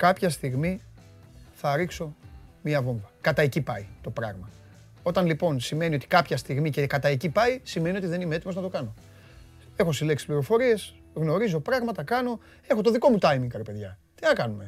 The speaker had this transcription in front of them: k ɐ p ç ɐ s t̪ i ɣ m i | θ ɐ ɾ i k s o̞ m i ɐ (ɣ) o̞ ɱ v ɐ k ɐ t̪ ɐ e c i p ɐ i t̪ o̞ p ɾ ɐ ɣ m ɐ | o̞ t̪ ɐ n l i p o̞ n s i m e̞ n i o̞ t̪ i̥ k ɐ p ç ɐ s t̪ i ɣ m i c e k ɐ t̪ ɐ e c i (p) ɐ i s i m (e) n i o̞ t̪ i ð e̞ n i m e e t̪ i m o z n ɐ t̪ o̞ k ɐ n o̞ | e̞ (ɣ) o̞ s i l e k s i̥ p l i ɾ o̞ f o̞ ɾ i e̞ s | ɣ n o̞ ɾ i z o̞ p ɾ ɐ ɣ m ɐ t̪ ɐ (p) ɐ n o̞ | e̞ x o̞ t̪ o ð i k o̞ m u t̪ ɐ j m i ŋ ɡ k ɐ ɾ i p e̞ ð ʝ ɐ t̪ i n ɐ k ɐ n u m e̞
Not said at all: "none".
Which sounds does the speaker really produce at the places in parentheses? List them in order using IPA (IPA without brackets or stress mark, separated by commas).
v, p, e, x, k